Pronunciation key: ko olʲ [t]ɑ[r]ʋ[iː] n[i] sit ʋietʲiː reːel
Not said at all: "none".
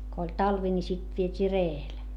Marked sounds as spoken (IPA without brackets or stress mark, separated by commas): t, l, i, i